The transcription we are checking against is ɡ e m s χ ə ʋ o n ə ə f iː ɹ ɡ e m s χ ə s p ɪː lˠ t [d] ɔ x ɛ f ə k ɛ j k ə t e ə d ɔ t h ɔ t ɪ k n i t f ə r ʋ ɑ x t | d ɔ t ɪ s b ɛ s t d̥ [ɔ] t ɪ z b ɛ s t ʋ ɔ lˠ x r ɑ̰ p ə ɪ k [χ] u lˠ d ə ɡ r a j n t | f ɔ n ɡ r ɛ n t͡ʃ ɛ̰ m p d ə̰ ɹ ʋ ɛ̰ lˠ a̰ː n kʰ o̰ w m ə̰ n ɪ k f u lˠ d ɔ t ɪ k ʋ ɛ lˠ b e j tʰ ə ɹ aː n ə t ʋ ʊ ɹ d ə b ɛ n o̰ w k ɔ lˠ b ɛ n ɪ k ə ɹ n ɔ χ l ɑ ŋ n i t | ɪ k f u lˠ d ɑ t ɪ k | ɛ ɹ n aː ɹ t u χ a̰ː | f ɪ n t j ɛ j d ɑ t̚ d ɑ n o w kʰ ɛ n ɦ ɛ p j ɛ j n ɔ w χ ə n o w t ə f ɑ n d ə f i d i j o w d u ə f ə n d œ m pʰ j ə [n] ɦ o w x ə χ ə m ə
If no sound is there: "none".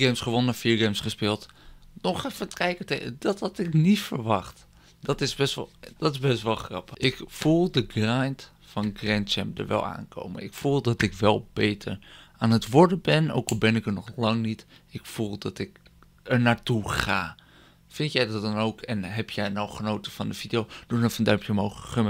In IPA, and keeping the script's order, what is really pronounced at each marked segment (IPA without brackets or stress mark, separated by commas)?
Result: n, ɔ, f, m